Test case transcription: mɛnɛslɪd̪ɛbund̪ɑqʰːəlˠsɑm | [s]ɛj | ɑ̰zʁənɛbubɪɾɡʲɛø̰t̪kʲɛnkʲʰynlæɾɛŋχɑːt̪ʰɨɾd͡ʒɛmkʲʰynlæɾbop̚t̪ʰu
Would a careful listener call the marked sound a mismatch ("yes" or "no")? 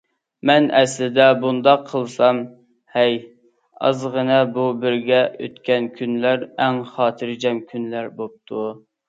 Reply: yes